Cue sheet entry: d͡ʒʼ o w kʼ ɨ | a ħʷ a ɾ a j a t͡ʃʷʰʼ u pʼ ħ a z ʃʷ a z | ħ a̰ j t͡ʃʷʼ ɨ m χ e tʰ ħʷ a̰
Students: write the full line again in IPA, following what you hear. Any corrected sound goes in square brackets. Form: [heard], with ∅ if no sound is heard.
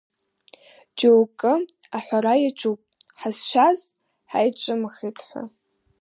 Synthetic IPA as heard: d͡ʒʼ o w kʼ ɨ | a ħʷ a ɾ a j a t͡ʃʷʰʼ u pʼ ħ a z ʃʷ a z | ħ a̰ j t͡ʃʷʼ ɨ m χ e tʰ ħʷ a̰